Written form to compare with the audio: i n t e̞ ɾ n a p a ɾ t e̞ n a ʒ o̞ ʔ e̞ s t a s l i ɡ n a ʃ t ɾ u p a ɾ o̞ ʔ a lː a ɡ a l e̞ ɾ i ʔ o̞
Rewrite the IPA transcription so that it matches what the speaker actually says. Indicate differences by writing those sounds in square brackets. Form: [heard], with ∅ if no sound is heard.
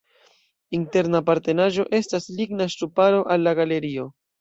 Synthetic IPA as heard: i n t e̞ ɾ n a p a ɾ t e̞ n a ʒ o̞ ʔ e̞ s t a s l i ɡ n a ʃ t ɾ u p a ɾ o̞ ʔ a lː a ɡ a l e̞ ɾ i [∅] o̞